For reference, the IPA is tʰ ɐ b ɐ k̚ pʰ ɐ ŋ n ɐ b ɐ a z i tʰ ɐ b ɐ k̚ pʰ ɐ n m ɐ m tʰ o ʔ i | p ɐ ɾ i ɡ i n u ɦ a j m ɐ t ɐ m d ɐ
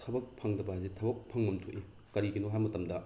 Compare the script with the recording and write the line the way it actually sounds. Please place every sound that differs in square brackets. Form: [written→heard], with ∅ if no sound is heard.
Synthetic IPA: tʰ ɐ b ɐ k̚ pʰ ɐ ŋ [n→d] ɐ b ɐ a z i tʰ ɐ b ɐ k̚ pʰ ɐ [n→ŋ] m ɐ m tʰ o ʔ i | [p→k] ɐ ɾ i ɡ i n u ɦ a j m ɐ t ɐ m d ɐ